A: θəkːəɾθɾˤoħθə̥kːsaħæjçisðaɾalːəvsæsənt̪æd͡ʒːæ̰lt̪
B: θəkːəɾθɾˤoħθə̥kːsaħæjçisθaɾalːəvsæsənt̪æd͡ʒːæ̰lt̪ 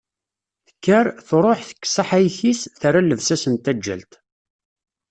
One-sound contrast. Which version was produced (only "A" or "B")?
B